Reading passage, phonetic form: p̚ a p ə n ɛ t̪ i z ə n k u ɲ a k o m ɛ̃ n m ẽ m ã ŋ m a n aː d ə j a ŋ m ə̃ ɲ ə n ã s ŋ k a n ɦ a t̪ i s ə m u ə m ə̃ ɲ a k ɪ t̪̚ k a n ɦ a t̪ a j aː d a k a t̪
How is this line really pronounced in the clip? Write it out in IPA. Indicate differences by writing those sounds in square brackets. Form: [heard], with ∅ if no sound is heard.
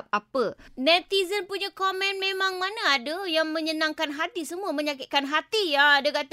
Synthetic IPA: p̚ a p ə n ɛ t̪ i z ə n [p] u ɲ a k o m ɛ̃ n m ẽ m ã ŋ m a n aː d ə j a ŋ m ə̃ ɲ ə n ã [∅] ŋ k a n ɦ a t̪ i s ə m u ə m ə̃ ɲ a k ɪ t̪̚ k a n ɦ a t̪ [i] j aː d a k a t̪